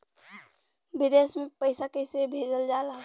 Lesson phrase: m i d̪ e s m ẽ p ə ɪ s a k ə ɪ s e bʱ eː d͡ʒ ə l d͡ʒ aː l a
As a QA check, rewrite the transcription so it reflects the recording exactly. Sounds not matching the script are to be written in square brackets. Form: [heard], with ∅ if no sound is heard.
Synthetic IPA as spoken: [b] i d̪ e s m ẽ p ə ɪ s a k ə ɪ s e bʱ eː d͡ʒ ə l d͡ʒ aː l a